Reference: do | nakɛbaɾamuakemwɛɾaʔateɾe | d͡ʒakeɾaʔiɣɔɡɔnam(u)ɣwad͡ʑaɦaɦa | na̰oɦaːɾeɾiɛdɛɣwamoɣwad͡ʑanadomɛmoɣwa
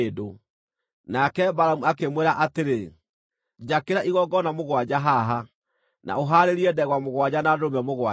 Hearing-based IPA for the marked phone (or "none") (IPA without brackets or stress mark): o